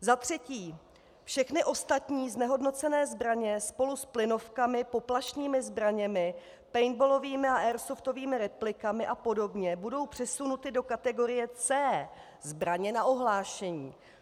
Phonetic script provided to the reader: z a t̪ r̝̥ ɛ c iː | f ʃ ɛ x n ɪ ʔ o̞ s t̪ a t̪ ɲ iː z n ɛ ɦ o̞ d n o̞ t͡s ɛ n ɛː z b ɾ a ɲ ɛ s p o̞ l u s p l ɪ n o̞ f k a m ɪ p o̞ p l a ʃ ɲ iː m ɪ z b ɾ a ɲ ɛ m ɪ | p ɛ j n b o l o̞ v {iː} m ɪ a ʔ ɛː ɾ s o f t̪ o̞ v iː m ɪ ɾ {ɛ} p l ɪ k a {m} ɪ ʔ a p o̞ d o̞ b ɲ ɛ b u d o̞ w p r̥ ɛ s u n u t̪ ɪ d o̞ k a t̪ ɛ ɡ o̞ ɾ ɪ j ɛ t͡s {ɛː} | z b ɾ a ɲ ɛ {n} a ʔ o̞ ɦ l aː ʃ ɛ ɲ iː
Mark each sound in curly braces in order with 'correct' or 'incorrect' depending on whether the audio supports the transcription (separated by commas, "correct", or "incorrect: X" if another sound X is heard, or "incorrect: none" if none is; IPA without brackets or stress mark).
correct, correct, correct, correct, correct